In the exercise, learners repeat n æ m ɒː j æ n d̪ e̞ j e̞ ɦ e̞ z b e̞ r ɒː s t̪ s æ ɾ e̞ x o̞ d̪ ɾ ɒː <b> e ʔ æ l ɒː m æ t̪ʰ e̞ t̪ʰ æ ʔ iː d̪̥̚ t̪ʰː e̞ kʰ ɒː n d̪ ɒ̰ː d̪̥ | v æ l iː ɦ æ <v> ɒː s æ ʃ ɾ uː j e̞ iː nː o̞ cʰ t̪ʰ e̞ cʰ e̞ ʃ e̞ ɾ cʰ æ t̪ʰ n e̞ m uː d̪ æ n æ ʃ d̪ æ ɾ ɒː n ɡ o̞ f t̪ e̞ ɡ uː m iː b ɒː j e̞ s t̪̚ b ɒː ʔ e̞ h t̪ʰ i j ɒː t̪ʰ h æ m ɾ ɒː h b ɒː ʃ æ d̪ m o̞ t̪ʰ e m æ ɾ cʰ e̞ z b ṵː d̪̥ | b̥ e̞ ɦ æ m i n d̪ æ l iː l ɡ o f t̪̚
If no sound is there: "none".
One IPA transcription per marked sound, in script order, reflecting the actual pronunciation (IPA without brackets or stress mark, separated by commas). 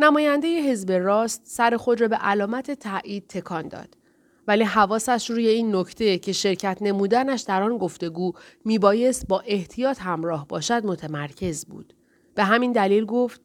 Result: b, v